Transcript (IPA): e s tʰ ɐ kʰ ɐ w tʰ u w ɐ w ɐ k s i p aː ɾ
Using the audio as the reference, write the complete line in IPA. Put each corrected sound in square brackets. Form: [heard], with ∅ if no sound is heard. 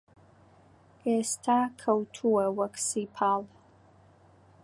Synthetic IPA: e s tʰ [a] kʰ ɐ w tʰ u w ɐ w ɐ k s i [pʰ] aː [l]